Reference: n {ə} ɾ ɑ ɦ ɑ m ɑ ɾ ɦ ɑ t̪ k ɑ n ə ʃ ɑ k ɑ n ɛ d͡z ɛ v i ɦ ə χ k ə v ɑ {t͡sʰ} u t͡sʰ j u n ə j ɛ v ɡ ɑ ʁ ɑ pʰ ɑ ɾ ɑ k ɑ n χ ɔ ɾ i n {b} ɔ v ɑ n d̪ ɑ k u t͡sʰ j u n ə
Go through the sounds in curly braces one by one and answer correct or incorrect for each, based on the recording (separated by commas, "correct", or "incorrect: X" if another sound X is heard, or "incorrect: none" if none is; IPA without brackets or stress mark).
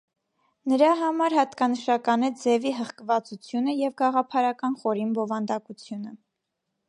correct, incorrect: t͡s, correct